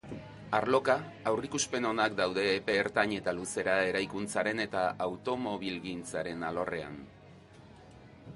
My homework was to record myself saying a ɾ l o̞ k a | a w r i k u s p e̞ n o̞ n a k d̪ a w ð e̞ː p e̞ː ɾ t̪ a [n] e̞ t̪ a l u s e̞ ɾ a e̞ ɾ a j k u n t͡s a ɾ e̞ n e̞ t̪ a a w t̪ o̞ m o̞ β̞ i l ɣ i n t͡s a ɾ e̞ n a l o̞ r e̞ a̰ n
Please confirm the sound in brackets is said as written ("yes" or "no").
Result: no